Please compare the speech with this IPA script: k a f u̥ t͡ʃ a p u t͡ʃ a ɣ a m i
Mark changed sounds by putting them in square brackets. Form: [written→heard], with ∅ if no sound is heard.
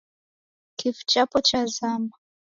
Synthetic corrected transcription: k [a→i] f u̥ t͡ʃ a p [u→ɔ] t͡ʃ a [ɣ→z] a m [i→a]